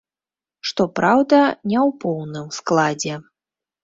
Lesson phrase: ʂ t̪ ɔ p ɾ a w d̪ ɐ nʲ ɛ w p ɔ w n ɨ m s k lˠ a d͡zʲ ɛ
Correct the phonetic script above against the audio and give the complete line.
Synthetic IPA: ʂ t̪ ɔ p ɾ a w d̪ ɐ nʲ ɛ w p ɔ w n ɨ m s k lˠ a d͡zʲ ɛ